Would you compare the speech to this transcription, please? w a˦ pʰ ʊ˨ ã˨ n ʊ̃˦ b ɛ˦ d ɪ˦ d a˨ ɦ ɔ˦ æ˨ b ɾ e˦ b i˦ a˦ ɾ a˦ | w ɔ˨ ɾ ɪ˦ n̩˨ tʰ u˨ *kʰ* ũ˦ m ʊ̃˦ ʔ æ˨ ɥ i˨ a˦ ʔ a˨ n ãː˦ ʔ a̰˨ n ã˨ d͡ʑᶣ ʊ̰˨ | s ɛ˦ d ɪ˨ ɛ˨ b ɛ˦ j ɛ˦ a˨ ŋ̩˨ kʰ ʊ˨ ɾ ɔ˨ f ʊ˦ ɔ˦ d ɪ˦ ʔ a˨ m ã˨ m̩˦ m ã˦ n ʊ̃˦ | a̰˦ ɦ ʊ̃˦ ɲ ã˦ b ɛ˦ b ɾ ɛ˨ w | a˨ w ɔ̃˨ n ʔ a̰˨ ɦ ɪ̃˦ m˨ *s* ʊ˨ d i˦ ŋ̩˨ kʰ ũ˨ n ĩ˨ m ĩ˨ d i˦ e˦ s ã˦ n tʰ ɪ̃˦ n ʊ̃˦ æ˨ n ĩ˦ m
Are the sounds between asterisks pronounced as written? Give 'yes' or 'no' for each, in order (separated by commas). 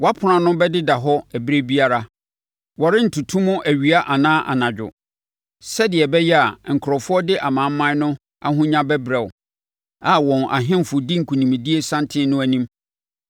no, no